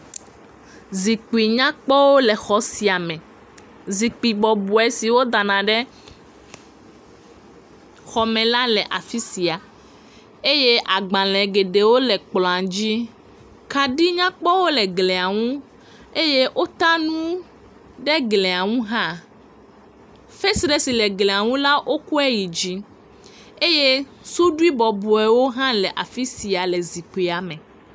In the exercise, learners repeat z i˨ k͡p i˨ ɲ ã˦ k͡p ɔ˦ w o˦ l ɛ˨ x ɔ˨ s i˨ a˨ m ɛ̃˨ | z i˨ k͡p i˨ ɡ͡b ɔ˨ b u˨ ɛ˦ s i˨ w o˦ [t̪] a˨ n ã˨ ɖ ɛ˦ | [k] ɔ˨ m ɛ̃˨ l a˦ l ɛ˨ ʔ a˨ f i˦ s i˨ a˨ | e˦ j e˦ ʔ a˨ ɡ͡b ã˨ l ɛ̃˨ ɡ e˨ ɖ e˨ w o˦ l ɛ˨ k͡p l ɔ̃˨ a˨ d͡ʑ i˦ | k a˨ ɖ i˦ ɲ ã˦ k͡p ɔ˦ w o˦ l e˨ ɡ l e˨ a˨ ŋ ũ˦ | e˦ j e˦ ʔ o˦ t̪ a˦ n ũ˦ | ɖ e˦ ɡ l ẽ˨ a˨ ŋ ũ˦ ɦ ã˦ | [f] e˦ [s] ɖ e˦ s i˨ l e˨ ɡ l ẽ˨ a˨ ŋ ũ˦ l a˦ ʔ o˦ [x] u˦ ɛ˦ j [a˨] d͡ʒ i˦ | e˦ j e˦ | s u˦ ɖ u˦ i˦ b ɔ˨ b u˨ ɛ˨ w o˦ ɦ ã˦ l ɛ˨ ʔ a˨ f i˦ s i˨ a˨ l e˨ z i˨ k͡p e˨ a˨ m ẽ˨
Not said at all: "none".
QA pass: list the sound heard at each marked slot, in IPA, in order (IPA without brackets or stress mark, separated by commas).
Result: d̪, x, f, s, k, i˨